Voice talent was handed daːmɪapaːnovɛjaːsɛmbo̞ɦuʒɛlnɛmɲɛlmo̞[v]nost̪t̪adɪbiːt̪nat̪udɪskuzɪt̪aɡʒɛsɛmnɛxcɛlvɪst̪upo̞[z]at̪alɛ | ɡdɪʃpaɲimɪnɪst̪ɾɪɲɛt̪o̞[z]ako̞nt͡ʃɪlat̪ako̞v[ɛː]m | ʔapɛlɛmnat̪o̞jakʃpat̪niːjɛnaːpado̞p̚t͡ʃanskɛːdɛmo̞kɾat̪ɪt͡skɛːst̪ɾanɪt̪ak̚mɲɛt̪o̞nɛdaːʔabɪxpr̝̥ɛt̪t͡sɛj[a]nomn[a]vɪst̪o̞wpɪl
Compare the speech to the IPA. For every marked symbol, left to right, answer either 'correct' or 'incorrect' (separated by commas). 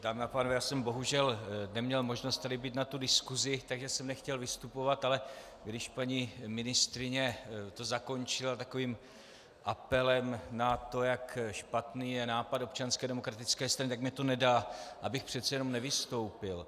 incorrect, incorrect, correct, incorrect, incorrect, incorrect